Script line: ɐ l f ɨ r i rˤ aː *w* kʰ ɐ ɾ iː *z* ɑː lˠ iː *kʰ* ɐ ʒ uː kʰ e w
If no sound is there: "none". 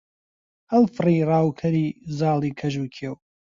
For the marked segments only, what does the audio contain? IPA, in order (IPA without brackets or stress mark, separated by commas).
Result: w, z, kʰ